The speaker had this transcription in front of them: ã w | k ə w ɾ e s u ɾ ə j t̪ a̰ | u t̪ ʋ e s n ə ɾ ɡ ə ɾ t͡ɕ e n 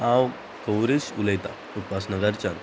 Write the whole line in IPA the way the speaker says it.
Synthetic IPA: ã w | k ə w ɾ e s u l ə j t̪ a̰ | u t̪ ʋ a s n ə ɡ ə ɾ t͡ɕ a n